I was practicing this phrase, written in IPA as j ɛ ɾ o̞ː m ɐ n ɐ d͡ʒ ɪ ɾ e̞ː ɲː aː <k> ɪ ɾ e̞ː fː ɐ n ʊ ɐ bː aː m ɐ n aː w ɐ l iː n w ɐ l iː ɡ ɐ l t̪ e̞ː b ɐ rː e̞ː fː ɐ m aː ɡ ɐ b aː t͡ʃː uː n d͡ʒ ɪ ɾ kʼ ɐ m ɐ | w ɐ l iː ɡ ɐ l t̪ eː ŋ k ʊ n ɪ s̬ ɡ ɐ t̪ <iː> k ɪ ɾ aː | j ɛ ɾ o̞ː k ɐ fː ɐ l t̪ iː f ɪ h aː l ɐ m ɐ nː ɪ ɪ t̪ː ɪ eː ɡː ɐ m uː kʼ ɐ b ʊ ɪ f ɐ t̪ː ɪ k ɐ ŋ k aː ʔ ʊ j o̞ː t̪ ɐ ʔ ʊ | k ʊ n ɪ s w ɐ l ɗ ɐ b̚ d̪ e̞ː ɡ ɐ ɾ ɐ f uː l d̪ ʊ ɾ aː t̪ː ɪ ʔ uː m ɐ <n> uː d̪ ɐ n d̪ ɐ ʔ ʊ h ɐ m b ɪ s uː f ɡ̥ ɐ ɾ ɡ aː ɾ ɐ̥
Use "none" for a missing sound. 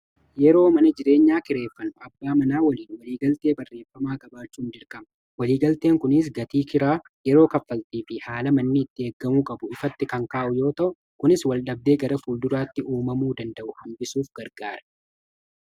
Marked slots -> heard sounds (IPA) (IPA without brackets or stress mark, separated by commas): k, iː, m